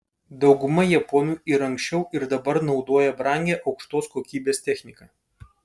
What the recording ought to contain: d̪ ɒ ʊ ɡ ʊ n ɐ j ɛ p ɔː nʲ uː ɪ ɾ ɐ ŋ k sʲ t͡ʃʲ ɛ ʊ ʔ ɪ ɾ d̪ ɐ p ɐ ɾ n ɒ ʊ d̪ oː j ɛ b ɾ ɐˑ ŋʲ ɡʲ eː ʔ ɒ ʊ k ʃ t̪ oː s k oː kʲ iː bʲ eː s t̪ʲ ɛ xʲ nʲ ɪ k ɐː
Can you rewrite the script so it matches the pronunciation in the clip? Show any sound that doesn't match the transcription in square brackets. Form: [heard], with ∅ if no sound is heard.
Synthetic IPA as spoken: d̪ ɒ ʊ ɡ ʊ [m] ɐ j ɛ p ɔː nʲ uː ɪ ɾ ɐ ŋ k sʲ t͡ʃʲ ɛ ʊ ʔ ɪ ɾ d̪ ɐ [b] ɐ ɾ n ɒ ʊ d̪ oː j ɛ b ɾ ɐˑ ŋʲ ɡʲ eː ʔ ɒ ʊ k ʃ t̪ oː s k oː kʲ iː bʲ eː s t̪ʲ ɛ xʲ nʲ ɪ k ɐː